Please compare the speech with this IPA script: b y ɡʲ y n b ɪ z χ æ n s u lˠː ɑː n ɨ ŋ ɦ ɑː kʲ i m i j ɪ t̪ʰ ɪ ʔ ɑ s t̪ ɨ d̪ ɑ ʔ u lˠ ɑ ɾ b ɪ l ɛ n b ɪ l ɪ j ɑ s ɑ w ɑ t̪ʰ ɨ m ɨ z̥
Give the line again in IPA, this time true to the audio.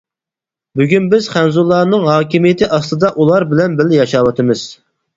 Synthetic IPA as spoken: b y ɡʲ y n b ɪ z χ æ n z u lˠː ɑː n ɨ ŋ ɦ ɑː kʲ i m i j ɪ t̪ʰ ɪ ʔ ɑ s t̪ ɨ d̪ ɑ ʔ u lˠ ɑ ɾ b ɪ l ɛ n b ɪ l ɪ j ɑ ʃ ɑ w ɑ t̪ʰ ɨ m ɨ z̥